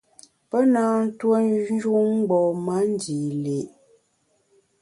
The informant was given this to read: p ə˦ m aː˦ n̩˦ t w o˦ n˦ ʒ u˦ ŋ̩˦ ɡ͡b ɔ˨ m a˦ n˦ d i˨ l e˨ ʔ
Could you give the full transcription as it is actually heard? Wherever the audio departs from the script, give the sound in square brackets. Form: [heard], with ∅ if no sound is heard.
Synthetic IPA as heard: p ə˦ [n] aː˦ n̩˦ t w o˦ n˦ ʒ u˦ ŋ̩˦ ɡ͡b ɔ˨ m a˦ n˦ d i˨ l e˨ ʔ